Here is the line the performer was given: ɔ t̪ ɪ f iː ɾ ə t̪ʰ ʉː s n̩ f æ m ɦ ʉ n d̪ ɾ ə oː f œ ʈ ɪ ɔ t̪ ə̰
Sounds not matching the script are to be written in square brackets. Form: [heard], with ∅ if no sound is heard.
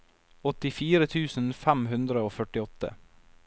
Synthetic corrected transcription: ɔ t̪ ɪ f iː ɾ ə t̪ʰ ʉː s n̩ f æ m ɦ ʉ n d̪ ɾ ə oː f œ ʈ ɪ ɔ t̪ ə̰